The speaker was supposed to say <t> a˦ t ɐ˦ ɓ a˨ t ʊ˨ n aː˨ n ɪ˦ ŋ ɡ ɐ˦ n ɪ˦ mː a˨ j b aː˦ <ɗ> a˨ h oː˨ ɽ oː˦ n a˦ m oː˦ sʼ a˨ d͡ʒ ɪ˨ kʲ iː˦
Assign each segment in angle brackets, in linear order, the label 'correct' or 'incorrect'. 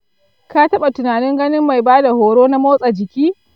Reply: incorrect, incorrect

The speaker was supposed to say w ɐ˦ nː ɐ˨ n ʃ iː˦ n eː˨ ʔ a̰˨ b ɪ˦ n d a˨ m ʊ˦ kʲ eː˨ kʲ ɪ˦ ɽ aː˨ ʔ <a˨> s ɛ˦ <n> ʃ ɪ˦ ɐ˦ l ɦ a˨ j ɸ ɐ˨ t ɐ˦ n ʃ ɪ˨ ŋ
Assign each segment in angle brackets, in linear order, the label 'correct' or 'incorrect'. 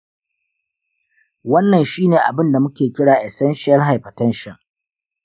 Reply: incorrect, correct

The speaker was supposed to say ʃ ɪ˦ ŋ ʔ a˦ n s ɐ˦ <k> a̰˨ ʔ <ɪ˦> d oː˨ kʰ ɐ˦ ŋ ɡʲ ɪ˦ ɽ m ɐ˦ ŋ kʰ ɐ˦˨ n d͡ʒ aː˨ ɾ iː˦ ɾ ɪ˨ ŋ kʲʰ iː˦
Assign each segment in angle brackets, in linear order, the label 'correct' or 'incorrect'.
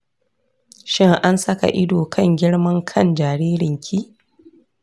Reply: correct, correct

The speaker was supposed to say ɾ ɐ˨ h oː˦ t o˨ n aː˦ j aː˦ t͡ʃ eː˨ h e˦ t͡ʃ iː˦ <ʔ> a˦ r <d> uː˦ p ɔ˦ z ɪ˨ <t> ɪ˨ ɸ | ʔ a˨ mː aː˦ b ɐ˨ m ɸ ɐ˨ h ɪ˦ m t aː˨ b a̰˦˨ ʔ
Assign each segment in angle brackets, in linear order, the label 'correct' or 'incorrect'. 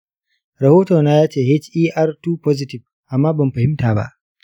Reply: correct, incorrect, correct

